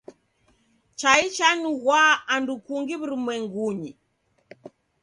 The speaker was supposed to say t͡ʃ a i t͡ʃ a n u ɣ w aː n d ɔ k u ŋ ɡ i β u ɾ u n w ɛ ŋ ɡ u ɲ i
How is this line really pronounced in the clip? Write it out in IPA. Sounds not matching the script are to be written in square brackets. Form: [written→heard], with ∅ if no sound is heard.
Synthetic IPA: t͡ʃ a i t͡ʃ a n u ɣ w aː n d [ɔ→u] k u ŋ ɡ i β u ɾ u [n→m] w ɛ ŋ ɡ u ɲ i